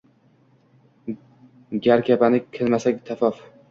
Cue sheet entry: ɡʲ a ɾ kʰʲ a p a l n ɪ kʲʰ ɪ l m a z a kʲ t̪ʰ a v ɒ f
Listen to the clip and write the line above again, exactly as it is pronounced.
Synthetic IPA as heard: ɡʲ a ɾ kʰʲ a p a n ɪ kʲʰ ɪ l m a s a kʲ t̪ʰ a f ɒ f